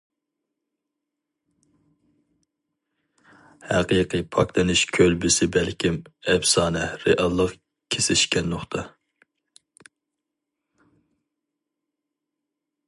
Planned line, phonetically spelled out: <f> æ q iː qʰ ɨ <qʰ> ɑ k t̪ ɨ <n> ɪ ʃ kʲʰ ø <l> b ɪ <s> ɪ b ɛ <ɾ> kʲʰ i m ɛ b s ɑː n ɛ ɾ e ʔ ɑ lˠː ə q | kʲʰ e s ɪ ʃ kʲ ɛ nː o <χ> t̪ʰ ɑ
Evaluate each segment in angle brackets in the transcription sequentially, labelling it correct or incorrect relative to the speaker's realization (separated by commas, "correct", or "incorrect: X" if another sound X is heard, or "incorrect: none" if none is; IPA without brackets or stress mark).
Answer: incorrect: h, incorrect: pʰ, correct, correct, correct, incorrect: l, correct